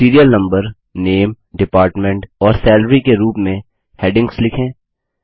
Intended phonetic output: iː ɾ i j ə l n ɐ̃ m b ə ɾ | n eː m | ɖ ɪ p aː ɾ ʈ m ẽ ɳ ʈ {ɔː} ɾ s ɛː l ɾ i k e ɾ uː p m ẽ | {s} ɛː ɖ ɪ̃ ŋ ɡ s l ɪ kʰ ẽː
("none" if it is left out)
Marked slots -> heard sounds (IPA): ɔː, h

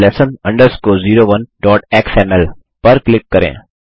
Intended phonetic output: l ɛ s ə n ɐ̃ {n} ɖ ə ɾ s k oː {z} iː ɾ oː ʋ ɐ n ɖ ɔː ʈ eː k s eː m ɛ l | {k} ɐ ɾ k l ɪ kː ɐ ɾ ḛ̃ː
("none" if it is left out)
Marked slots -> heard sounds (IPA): ɳ, z, p

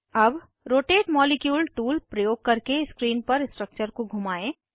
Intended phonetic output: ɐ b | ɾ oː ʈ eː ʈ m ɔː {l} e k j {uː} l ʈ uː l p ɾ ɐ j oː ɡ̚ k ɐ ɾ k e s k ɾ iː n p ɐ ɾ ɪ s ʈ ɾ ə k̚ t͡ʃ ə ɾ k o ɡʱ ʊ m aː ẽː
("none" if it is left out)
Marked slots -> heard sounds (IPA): l, uː

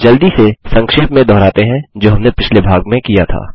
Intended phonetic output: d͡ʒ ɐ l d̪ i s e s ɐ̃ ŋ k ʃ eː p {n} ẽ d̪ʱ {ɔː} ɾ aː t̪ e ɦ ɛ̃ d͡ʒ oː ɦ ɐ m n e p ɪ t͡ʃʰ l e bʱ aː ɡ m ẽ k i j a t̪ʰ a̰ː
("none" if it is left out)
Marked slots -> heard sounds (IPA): m, ɔː

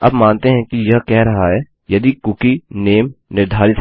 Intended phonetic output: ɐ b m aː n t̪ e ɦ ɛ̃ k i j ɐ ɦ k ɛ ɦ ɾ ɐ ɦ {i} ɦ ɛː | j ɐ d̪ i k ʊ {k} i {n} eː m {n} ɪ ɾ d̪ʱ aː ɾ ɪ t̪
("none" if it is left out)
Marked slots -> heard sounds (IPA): a, k, n, n

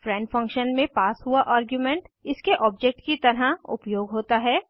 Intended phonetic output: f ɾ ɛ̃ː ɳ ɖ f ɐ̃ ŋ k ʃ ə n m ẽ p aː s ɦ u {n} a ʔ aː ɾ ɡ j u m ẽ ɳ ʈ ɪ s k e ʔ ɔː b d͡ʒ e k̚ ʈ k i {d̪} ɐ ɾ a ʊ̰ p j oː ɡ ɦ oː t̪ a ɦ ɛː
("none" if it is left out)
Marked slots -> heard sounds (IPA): none, t̪

